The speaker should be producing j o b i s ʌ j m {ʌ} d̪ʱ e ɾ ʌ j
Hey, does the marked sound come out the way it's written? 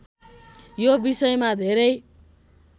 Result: no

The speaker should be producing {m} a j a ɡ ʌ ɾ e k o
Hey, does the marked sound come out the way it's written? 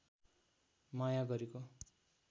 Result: yes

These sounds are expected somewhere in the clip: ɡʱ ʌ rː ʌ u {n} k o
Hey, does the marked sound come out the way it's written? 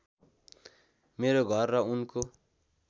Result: yes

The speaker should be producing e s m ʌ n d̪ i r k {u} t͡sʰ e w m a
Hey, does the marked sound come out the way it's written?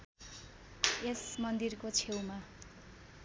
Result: no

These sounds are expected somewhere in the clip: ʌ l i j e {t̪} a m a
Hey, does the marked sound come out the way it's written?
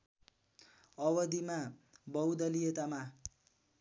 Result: yes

